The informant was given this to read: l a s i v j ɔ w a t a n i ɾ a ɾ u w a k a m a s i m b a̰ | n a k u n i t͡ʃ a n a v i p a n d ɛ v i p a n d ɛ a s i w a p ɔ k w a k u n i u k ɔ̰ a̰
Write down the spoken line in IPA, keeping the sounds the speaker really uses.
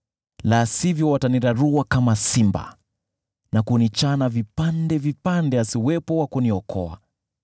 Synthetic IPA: l a s i v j ɔ w a t a n i ɾ a ɾ u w a k a m a s i m b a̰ | n a k u n i t͡ʃ a n a v i p a n d ɛ v i p a n d ɛ a s i w ɛ p ɔ w a k u n i ɔ k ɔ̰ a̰